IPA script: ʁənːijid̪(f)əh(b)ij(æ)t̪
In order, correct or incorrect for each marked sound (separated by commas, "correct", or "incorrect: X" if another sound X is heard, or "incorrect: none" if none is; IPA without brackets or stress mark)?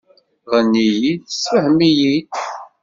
incorrect: s, incorrect: m, incorrect: i